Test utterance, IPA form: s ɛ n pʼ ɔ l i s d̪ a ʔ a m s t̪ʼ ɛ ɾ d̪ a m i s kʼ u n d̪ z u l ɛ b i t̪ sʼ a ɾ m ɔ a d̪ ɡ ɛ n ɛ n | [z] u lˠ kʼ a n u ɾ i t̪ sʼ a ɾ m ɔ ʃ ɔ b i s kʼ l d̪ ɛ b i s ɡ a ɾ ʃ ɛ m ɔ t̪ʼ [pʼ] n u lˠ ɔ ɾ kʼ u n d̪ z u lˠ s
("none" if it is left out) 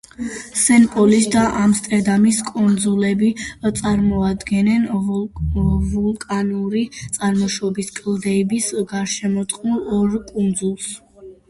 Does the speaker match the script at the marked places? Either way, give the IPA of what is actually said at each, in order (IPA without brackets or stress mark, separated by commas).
v, qʼ